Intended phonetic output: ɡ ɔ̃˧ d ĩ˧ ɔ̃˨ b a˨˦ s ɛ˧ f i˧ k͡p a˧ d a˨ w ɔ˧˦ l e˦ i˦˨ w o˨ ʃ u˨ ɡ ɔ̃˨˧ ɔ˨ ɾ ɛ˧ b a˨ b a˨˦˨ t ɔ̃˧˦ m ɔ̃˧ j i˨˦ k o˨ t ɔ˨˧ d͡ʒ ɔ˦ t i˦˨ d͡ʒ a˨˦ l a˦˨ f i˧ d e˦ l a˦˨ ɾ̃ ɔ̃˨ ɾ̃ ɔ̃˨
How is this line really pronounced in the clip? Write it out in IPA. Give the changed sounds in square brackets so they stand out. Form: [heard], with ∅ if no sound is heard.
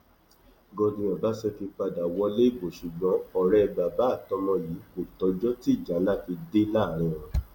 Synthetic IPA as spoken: ɡ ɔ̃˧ d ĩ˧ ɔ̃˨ b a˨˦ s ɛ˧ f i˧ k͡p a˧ d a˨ w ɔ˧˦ l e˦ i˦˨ [b] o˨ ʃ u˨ [ɡ͡b] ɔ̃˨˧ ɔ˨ ɾ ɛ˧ b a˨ b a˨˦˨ t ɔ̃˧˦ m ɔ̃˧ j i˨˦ k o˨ t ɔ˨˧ d͡ʒ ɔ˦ t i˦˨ d͡ʒ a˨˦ l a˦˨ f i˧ d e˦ l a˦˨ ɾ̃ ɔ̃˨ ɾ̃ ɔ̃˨